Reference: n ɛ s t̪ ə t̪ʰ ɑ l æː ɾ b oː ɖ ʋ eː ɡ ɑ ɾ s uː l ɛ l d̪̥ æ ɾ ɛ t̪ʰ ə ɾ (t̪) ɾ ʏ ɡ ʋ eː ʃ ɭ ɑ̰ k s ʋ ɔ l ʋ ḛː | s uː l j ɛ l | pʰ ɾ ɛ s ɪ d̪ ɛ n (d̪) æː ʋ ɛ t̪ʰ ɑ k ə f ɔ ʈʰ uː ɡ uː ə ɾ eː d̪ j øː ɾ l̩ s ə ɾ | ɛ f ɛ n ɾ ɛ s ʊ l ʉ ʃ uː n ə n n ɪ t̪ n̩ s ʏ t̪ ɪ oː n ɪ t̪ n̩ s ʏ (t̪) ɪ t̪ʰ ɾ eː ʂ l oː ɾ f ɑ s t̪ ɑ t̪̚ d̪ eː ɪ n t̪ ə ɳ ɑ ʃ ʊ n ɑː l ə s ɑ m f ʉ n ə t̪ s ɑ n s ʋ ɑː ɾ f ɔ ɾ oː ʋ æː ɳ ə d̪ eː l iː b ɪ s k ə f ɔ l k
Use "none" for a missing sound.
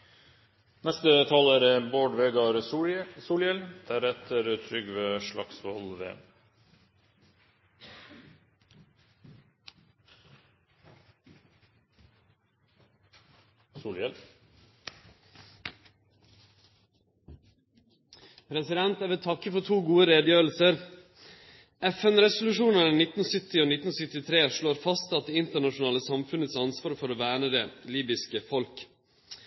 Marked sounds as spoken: t̪ʰ, t̪, t̪

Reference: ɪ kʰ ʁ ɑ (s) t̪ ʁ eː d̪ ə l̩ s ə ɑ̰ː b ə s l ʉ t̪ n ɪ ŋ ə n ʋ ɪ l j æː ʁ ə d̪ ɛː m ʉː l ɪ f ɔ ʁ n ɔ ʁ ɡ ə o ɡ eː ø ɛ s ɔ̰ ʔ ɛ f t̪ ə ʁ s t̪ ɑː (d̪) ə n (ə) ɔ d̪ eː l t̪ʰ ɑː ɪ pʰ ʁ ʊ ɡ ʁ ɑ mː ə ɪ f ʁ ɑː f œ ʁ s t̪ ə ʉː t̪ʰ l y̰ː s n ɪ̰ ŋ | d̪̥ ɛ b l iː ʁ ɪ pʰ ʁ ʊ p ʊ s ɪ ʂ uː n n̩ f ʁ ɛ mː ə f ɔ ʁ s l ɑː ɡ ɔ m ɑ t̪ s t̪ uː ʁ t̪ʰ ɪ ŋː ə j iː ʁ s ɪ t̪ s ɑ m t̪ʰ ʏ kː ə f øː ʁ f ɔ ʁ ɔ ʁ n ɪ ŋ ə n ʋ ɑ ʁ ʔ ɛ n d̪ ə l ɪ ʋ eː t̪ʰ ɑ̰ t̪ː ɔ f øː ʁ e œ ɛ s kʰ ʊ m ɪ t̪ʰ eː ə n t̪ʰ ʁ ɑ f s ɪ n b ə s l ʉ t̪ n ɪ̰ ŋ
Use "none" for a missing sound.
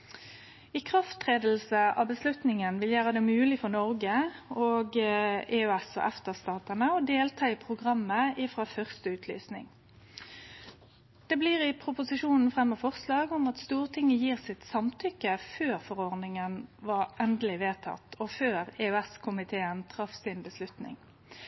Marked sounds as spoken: f, t̪, ə

